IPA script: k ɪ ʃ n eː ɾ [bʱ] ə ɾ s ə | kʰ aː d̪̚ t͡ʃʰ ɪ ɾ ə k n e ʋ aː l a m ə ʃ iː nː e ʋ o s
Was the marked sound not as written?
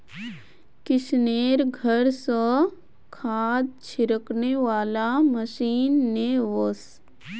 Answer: yes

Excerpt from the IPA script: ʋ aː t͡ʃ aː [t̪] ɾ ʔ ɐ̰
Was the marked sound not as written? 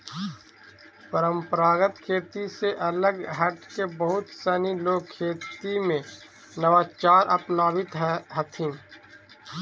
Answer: yes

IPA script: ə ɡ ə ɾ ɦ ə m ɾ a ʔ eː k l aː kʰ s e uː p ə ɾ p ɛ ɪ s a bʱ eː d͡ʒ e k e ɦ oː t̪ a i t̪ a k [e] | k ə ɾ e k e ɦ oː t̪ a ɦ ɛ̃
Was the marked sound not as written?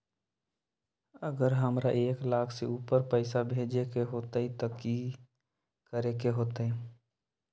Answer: yes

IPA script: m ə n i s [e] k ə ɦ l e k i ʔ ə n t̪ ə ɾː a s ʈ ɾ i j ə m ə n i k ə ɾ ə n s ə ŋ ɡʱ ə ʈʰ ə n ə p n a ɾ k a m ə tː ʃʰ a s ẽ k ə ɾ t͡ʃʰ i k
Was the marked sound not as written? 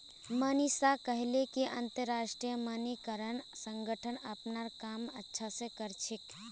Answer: yes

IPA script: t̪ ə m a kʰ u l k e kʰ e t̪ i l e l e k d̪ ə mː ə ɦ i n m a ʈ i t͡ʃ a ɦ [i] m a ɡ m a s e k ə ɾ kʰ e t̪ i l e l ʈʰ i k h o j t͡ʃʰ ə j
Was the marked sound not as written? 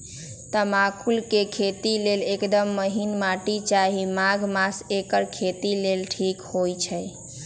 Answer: no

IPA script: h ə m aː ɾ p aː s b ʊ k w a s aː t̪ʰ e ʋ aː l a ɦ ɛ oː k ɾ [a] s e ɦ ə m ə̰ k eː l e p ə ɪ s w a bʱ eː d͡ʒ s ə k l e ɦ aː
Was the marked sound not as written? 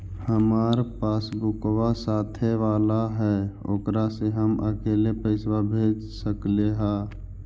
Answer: no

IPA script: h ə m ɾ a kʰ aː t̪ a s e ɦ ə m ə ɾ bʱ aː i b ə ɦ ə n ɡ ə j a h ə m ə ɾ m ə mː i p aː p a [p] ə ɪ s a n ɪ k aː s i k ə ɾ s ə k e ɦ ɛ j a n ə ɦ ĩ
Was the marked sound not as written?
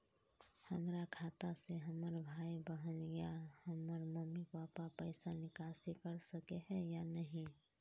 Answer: no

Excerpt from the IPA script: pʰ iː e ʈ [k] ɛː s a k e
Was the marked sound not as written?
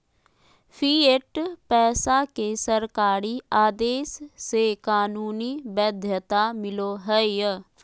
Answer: yes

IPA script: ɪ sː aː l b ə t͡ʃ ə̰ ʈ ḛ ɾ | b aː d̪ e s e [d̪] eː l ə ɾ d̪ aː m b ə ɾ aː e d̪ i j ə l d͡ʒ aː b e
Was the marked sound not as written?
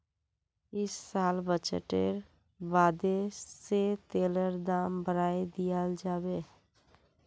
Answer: yes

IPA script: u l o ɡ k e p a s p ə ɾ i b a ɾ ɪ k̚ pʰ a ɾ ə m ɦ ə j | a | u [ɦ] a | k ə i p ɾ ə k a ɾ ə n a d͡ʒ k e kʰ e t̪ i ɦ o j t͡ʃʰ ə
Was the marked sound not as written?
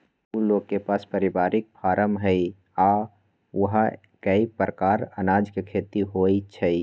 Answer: no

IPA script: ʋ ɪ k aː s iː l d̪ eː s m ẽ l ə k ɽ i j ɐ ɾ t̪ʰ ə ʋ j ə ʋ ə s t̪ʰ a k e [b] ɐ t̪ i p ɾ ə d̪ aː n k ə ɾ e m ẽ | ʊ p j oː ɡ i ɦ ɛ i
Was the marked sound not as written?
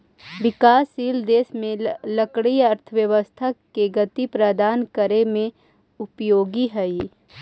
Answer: yes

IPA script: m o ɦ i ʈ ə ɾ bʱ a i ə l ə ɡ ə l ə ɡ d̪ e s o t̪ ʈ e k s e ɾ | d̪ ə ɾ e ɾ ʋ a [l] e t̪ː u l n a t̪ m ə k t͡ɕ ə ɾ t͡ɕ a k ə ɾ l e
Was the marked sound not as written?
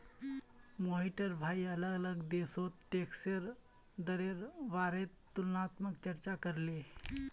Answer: yes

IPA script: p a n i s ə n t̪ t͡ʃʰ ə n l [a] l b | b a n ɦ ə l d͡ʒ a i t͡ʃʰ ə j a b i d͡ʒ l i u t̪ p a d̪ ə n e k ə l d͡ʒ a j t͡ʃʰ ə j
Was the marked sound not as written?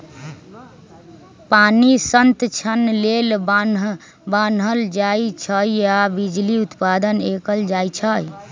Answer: yes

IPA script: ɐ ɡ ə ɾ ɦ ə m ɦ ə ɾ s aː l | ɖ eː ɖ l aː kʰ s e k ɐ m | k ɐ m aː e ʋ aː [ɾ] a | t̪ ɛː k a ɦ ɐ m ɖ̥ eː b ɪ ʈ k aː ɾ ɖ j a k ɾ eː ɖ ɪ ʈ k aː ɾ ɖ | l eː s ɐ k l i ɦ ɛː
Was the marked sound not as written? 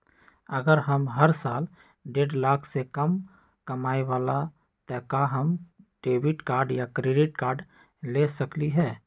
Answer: yes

